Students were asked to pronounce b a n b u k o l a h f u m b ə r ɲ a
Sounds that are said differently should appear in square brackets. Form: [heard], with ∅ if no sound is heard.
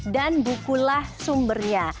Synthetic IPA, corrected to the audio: [d] a n b u k [u] l a h [s] u m b ə r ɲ a